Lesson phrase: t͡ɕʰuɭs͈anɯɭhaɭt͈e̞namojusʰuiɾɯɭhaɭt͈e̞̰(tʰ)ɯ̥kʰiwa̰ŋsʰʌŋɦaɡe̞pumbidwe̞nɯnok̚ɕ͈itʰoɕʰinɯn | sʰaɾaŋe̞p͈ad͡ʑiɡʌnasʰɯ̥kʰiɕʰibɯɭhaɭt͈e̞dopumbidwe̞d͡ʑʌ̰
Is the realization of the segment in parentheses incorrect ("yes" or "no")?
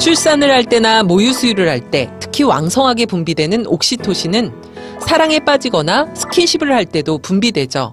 no